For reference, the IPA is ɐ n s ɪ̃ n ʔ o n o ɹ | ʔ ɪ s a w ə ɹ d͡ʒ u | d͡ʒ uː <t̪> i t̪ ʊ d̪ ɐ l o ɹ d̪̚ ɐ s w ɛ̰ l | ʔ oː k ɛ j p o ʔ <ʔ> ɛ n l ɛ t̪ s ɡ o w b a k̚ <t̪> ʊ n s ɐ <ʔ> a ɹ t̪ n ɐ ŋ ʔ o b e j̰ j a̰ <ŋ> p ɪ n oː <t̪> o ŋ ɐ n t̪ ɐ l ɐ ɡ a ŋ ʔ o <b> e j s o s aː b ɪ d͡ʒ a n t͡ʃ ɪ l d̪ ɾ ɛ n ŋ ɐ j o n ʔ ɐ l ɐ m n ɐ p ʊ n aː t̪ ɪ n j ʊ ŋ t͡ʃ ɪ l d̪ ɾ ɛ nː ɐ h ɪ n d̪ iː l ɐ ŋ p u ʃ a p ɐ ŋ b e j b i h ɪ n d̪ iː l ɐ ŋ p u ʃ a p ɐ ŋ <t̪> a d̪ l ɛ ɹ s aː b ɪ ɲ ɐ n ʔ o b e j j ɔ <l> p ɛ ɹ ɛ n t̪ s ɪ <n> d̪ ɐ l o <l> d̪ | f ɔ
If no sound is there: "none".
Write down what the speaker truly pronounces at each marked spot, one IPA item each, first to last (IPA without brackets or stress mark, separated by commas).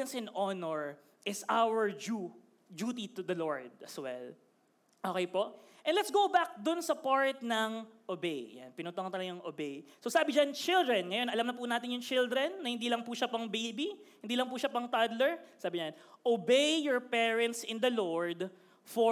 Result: t̪, ʔ, d̪, p, n, t̪, b, t̪, ɹ, n, ɹ